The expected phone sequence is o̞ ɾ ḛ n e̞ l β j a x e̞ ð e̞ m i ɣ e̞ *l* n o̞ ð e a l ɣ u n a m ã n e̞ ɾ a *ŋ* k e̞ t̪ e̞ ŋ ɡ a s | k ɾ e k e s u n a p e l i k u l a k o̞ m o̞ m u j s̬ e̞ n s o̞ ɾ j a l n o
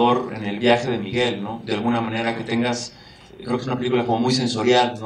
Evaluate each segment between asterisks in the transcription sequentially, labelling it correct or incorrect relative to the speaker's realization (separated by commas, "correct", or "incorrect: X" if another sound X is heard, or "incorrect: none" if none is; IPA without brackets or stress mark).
correct, incorrect: none